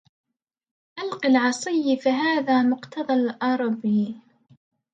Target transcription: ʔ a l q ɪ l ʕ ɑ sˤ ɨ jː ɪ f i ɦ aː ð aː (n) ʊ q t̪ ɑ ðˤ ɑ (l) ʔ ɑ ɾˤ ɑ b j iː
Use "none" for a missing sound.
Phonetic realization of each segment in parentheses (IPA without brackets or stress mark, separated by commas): m, l